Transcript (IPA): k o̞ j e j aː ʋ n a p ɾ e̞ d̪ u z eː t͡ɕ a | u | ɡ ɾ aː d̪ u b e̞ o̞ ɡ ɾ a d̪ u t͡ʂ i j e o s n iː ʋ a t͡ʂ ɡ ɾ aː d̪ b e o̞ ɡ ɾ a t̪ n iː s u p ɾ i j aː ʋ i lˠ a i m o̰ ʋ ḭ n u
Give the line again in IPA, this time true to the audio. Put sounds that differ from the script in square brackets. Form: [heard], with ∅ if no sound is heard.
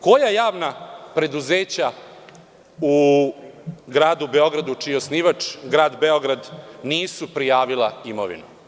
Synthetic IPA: k o̞ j [a] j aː ʋ n a p ɾ e̞ d̪ u z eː t͡ɕ a | u | ɡ ɾ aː d̪ u b e̞ o̞ ɡ ɾ a d̪ u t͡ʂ i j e o s n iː ʋ a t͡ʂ ɡ ɾ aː d̪ b e o̞ ɡ ɾ a [d̪] n iː s u p ɾ i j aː ʋ i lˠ a i m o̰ ʋ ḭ n u